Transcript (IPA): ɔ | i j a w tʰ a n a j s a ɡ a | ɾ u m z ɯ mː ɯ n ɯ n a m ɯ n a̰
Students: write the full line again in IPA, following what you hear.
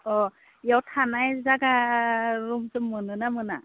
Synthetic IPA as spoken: ɔ | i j a w tʰ a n a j z a ɡ a | ɾ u m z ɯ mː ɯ n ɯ n a m ɯ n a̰